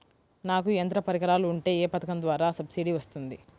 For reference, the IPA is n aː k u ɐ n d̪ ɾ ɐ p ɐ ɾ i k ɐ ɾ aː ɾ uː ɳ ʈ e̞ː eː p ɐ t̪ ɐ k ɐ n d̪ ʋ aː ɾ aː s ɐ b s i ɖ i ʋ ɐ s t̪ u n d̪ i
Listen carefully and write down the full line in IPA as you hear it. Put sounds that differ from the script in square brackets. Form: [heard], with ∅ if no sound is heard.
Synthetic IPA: n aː k u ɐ n [t̪] ɾ ɐ p ɐ ɾ i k ɐ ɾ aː [l] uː ɳ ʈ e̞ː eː p ɐ t̪ ɐ k ɐ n d̪ ʋ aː ɾ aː s ɐ b s i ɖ i ʋ ɐ s t̪ u n d̪ i